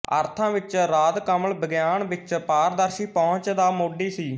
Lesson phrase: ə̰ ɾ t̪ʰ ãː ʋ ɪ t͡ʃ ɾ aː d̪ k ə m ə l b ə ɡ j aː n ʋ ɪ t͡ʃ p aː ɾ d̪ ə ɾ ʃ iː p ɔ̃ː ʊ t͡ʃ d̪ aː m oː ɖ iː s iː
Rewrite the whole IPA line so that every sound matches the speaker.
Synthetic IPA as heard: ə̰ ɾ t̪ʰ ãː ʋ ɪ t͡ʃ ɾ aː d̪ k ə m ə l b ə ɡ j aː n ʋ ɪ t͡ʃ p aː ɾ d̪ ə ɾ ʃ iː p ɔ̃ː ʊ t͡ʃ d̪ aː m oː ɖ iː s iː

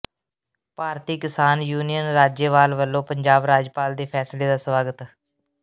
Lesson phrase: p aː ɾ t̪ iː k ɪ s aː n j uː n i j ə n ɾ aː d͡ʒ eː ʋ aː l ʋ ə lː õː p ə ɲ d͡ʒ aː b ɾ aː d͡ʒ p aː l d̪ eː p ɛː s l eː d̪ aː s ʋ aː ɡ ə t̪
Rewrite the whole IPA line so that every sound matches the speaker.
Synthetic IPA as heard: p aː ɾ t̪ iː k ɪ s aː n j uː n i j ə n ɾ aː d͡ʒ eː ʋ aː l ʋ ə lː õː p ə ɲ d͡ʒ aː b ɾ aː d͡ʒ p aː l d̪ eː pʰ ɛː s l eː d̪ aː s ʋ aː ɡ ə t̪

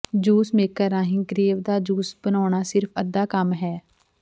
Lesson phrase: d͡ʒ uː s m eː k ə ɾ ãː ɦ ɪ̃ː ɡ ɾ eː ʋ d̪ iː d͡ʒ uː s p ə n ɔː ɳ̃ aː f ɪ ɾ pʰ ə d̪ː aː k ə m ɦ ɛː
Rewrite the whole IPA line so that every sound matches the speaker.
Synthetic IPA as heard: d͡ʒ uː s m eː k ə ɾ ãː ɦ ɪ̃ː ɡ ɾ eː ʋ d̪ aː d͡ʒ uː s b ə n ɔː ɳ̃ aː s ɪ ɾ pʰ ə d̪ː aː k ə m ɦ ɛː

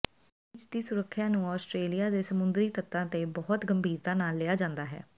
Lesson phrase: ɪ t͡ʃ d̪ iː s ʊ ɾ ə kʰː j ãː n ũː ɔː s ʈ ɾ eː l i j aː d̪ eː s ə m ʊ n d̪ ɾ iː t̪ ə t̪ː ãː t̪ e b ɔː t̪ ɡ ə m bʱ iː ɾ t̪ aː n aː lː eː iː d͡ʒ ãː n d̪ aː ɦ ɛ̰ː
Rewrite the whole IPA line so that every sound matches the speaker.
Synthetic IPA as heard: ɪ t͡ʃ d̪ iː s ʊ ɾ ə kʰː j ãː n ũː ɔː s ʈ ɾ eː l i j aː d̪ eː s ə m ʊ n d̪ ɾ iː t̪ ə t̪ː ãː t̪ e b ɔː t̪ ɡ ə m bʱ iː ɾ t̪ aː n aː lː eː aː d͡ʒ ãː n d̪ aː ɦ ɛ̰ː

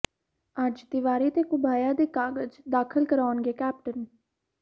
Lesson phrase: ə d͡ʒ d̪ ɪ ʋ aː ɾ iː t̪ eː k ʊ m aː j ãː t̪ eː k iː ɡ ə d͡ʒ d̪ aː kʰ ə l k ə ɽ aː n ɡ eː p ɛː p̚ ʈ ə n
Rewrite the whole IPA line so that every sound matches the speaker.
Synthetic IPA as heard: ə d͡ʒ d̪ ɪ ʋ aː ɾ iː t̪ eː k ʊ b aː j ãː d̪ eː k aː ɡ ə d͡ʒ d̪ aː kʰ ə l k ə ɾ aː n ɡ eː k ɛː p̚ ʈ ə n

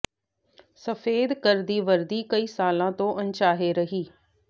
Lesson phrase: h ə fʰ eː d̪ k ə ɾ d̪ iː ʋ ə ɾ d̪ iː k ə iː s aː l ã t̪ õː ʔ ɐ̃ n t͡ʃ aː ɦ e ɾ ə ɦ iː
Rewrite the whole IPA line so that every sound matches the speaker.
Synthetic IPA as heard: s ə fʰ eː d̪ k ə ɾ d̪ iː ʋ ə ɾ d̪ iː k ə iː s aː l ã t̪ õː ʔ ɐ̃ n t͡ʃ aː ɦ e ɾ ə ɦ iː

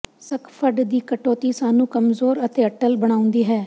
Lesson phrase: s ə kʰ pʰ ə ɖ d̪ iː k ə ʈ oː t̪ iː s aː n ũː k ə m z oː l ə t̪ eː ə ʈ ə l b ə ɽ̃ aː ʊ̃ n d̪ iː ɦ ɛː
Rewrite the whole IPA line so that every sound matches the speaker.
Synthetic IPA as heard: s ə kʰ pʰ ə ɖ d̪ iː k ə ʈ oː t̪ iː s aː n ũː k ə m z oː ɾ ə t̪ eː ə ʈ ə l b ə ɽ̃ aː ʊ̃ n d̪ iː ɦ ɛː

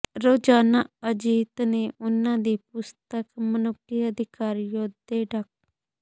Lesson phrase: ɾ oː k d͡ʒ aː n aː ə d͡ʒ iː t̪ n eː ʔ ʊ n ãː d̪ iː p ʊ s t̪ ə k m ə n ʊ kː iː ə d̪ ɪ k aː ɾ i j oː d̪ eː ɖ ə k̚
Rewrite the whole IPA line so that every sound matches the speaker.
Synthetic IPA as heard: ɾ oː d͡ʒ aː n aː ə d͡ʒ iː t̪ n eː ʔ ʊ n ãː d̪ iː p ʊ s t̪ ə k m ə n ʊ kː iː ə d̪ ɪ k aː ɾ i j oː d̪ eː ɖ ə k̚

